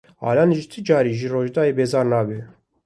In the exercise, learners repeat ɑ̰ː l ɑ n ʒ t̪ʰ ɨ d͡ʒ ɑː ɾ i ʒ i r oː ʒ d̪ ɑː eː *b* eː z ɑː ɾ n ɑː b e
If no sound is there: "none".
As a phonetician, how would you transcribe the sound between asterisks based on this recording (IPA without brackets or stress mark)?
b